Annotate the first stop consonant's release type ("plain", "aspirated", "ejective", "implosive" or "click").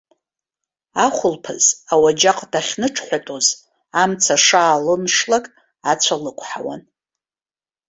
aspirated